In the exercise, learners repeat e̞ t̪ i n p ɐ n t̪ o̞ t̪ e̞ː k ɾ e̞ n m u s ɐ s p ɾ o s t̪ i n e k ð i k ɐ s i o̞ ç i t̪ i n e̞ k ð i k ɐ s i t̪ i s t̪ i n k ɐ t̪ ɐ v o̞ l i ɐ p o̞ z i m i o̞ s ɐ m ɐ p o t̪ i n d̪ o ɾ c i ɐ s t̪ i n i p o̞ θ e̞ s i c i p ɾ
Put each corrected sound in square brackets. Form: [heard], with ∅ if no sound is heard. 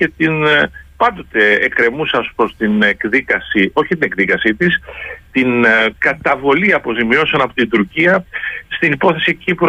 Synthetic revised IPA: e̞ t̪ i n p ɐ n [d̪] o̞ t̪ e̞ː k ɾ e̞ [∅] m u s ɐ s p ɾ o s t̪ i n e k ð i k ɐ s i o̞ ç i t̪ i n e̞ k ð i k ɐ s i t̪ i s t̪ i n k ɐ t̪ ɐ v o̞ l i ɐ p o̞ z i m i o̞ s ɐ [n] ɐ p o t̪ i n d̪ [u] ɾ c i ɐ s t̪ i n i p o̞ θ e̞ s i c i p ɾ